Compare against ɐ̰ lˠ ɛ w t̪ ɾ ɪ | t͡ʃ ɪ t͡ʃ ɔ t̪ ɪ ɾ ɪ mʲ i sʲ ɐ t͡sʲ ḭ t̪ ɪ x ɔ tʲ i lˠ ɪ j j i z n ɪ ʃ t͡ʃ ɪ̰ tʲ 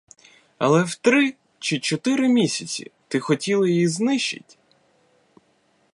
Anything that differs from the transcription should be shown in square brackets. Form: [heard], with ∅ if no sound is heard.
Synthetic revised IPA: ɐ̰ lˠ ɛ w t̪ ɾ ɪ | t͡ʃ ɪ t͡ʃ ɔ t̪ ɪ ɾ ɪ mʲ i sʲ ɐ t͡sʲ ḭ t̪ ɪ x ɔ tʲ i lˠ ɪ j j i z n ɪ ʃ t͡ʃ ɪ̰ tʲ